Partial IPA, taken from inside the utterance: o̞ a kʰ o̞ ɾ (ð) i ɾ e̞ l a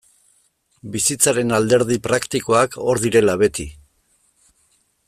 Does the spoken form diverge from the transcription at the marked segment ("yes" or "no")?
no